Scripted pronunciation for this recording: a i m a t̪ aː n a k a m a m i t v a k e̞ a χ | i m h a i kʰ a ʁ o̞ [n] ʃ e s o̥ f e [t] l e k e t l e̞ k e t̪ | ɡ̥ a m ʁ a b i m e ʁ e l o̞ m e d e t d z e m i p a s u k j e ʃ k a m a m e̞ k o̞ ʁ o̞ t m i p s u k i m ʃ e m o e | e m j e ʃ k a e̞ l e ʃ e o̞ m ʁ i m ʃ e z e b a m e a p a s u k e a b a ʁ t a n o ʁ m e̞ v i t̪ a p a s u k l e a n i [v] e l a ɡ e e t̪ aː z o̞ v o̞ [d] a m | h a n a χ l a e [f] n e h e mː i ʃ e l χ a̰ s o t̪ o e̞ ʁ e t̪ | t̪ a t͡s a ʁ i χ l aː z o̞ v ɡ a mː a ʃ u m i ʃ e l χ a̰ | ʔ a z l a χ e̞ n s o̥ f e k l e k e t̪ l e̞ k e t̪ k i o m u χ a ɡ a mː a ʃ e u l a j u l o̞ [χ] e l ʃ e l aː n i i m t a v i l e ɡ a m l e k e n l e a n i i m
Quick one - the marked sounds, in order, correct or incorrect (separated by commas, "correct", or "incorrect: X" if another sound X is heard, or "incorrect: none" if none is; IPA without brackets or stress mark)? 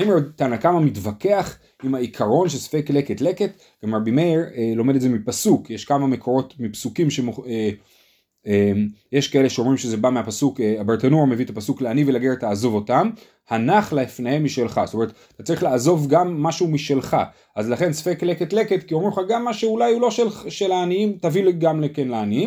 correct, incorrect: k, correct, incorrect: t, correct, incorrect: ʃ